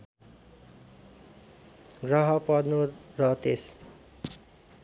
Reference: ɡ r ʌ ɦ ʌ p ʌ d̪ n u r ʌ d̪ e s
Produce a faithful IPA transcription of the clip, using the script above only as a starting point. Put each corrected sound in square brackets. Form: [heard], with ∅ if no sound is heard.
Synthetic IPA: ɡ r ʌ ɦ ʌ p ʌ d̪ n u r ʌ [t̪] e s